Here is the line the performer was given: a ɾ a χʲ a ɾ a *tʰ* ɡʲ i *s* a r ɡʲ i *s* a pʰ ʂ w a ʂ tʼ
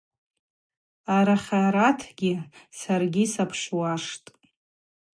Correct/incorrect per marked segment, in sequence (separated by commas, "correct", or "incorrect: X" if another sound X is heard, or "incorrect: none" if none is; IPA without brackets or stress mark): correct, correct, correct